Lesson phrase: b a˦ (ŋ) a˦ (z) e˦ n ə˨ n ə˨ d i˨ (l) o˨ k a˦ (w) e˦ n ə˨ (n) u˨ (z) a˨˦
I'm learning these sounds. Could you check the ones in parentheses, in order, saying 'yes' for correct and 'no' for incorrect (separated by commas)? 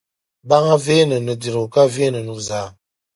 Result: yes, no, no, no, yes, yes